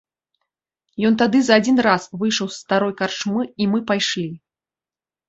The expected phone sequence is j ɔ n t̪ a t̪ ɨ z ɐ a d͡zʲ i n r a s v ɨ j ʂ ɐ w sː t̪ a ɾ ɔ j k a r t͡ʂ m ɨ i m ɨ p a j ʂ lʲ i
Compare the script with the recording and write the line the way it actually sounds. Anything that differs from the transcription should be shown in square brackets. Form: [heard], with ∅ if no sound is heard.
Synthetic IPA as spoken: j ɔ n t̪ a [d̪] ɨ z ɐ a d͡zʲ i n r a s v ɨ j ʂ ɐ w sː t̪ a ɾ ɔ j k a r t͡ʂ m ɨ i m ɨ p a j ʂ lʲ i